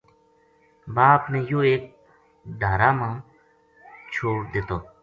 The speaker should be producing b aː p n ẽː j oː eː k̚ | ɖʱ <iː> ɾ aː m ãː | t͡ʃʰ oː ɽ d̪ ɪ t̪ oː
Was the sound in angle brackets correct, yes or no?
no